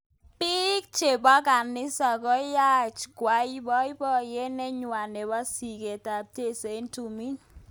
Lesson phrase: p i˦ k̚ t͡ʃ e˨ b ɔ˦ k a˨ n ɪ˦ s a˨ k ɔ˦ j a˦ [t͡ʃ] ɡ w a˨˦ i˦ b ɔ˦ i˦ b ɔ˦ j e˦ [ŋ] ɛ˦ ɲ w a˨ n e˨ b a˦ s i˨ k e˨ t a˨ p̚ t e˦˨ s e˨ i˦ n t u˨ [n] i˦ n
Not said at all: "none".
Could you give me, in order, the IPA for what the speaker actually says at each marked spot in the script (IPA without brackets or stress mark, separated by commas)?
t͡ʃ, n, m